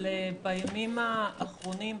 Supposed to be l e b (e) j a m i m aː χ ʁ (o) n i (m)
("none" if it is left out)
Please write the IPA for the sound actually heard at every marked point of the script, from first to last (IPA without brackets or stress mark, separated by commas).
a, o, m